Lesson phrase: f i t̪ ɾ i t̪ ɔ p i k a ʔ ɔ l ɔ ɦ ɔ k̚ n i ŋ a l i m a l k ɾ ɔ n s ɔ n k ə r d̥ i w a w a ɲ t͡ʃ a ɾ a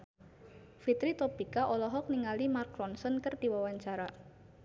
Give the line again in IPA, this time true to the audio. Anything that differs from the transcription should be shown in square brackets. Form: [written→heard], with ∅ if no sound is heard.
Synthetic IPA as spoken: f i t̪ ɾ i t̪ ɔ p i k a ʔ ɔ l ɔ ɦ ɔ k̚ n i ŋ a l i m a [l→r] k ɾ ɔ n s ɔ n k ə r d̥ i w a w a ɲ t͡ʃ a ɾ a